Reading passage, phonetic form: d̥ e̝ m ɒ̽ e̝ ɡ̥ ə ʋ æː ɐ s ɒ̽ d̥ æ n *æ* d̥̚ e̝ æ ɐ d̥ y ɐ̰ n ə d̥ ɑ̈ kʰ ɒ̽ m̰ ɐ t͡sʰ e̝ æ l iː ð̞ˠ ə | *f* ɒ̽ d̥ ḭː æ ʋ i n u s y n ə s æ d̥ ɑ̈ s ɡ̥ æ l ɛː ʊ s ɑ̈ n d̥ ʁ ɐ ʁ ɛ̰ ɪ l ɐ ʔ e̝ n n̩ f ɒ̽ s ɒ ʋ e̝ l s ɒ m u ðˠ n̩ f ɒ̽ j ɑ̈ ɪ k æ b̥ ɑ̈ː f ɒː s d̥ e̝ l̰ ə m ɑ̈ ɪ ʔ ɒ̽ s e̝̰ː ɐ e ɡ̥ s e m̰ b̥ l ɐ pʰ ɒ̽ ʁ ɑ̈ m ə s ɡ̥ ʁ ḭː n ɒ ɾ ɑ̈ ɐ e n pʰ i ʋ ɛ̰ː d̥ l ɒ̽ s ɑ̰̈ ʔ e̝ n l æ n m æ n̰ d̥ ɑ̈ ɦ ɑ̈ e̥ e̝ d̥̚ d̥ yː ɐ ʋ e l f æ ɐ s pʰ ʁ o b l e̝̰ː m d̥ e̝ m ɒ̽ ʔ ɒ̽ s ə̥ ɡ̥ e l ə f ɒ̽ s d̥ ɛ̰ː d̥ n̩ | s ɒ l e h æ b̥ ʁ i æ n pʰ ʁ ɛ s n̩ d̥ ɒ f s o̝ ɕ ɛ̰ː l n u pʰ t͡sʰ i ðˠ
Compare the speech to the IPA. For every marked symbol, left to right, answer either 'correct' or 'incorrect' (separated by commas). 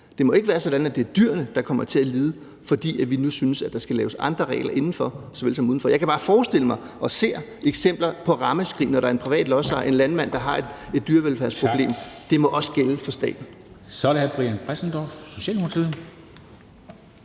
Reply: correct, correct